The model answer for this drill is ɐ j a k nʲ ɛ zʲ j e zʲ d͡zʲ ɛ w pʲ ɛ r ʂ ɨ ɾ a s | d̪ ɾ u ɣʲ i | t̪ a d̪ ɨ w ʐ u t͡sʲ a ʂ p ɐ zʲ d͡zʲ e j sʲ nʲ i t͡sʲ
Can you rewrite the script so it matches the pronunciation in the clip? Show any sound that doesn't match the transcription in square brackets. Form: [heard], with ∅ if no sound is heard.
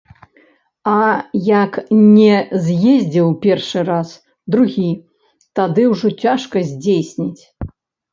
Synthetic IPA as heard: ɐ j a k nʲ ɛ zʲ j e zʲ d͡zʲ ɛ w pʲ ɛ r ʂ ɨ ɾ a s | d̪ ɾ u ɣʲ i | t̪ a d̪ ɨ w ʐ [ɔ] t͡sʲ a ʂ [k] ɐ zʲ d͡zʲ e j sʲ nʲ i t͡sʲ